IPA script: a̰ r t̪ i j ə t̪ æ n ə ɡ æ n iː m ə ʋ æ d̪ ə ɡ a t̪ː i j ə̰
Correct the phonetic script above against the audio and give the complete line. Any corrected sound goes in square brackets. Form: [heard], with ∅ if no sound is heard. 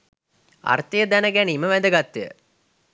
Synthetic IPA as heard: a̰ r t̪ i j ə [d̪] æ n ə ɡ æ n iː m ə ʋ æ d̪ ə ɡ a t̪ː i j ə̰

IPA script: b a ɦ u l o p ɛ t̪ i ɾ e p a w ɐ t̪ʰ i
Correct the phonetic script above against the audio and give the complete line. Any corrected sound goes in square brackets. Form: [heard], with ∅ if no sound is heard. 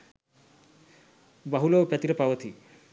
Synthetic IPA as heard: b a ɦ u l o p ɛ t̪ i ɾ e p a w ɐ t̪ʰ i

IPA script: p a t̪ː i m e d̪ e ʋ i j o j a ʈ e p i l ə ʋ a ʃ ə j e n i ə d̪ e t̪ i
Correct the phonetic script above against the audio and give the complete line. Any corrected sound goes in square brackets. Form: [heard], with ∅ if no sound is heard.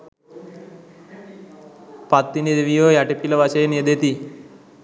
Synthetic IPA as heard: p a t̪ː i [n] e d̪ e ʋ i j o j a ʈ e p i l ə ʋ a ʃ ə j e n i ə d̪ e t̪ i

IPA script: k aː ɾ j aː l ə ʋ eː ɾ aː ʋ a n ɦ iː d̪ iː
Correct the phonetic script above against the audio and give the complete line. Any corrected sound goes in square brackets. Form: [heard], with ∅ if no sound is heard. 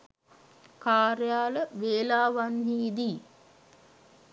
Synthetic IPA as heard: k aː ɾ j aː l ə ʋ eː [l] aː ʋ a n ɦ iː d̪ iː

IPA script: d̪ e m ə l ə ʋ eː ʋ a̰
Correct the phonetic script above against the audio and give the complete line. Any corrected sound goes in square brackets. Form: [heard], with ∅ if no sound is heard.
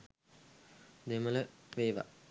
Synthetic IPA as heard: d̪ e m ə l ə ʋ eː ʋ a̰

